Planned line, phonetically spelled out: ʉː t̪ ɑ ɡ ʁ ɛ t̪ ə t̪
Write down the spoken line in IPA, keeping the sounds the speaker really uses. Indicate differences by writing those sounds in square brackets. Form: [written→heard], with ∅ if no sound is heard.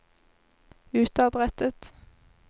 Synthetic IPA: ʉː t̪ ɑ [ɡ→b] ʁ ɛ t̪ ə t̪